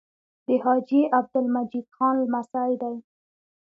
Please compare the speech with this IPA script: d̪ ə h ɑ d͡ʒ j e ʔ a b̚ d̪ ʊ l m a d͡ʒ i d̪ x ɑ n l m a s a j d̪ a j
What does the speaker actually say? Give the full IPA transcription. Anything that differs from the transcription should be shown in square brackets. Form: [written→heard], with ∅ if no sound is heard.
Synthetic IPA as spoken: d̪ ə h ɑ d͡ʒ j e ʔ a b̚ d̪ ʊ l m a d͡ʒ i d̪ x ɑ n l m a s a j d̪ a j